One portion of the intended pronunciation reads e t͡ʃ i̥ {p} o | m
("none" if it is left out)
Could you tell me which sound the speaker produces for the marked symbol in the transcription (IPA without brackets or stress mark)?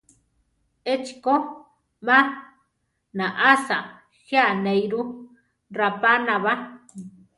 k